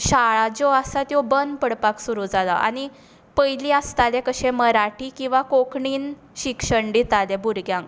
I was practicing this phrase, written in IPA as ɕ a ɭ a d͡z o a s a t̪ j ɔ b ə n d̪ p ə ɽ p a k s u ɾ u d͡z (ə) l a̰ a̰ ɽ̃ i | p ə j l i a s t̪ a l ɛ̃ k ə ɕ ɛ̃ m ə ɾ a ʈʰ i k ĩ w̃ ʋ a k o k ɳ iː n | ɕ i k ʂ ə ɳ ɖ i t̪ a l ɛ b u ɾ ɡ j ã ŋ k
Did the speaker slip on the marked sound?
yes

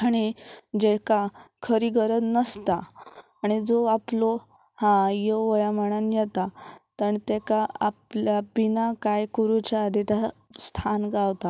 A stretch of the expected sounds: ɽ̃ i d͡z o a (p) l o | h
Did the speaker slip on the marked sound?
no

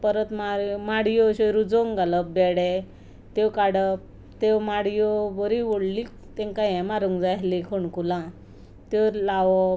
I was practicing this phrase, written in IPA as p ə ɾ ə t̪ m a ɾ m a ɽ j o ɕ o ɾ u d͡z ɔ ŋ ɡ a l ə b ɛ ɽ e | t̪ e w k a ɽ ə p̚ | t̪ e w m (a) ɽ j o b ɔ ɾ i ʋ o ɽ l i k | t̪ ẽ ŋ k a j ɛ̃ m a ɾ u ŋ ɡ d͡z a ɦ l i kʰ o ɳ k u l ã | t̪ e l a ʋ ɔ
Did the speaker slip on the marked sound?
no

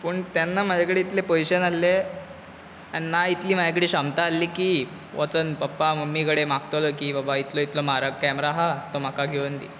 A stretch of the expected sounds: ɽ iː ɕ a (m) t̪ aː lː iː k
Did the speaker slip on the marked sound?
no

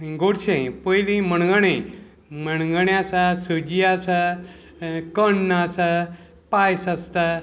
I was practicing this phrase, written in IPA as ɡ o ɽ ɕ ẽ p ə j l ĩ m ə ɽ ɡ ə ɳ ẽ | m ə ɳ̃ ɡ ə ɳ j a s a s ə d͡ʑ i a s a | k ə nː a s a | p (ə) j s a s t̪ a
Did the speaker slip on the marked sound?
yes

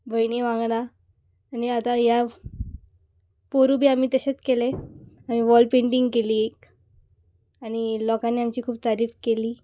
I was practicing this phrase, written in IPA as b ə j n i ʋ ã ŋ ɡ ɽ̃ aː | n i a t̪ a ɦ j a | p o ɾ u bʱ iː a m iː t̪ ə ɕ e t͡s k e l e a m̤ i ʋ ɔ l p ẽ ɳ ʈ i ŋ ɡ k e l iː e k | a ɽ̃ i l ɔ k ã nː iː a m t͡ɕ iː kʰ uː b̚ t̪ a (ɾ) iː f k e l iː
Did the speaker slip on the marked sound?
no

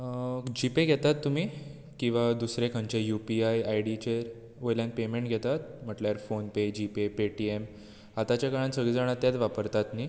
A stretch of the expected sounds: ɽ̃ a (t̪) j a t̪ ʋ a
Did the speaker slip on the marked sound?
no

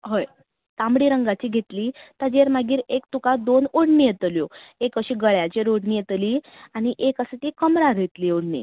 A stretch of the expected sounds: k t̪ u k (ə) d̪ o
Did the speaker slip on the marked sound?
yes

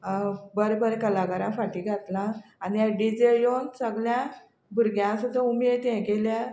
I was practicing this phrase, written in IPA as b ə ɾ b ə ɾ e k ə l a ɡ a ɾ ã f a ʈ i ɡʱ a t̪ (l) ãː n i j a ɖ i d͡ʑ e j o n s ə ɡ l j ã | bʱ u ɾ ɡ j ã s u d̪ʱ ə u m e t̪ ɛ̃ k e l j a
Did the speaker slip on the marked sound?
no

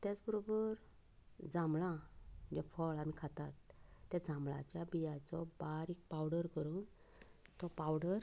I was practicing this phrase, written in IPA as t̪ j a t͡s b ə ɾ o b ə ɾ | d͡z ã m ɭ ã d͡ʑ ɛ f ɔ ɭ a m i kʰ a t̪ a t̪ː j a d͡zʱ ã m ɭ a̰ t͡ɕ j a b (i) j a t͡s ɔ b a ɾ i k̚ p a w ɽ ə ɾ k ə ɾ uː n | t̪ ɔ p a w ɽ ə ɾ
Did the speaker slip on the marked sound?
no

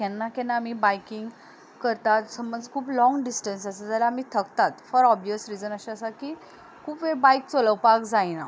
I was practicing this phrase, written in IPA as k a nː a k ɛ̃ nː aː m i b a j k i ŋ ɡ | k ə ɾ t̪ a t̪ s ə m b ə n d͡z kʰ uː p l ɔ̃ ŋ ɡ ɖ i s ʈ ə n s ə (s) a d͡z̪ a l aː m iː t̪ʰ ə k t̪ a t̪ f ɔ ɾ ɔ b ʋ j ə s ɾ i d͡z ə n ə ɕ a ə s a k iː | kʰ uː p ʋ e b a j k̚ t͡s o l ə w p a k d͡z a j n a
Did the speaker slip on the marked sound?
no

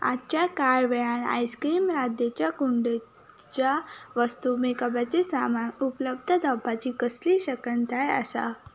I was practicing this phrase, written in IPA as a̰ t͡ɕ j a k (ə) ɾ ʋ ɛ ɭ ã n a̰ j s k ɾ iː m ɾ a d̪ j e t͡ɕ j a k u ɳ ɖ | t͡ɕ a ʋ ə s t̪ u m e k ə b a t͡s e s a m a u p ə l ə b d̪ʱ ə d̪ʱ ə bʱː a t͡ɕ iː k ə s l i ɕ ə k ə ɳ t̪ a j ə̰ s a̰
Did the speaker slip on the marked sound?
yes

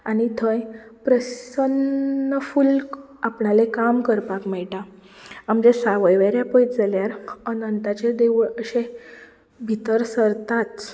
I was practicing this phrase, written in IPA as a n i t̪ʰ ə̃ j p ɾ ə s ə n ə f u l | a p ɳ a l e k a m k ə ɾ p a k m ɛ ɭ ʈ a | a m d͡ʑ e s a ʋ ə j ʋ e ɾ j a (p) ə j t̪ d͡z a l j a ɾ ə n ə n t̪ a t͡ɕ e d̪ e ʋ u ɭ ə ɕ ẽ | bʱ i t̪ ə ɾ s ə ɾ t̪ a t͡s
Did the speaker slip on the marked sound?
no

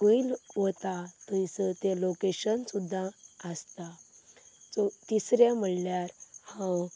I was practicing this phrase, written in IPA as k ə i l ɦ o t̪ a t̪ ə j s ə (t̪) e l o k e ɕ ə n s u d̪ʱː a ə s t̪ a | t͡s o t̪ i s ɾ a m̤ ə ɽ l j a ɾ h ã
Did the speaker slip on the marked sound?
no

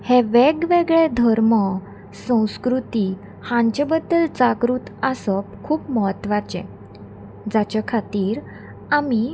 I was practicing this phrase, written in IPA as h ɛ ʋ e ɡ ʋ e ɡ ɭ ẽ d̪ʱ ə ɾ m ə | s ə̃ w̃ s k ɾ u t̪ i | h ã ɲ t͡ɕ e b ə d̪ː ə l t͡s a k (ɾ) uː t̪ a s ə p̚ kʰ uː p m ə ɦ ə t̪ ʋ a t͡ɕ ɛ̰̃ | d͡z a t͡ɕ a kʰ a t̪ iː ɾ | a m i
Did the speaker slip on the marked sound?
no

